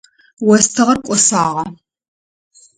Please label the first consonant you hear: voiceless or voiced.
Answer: voiced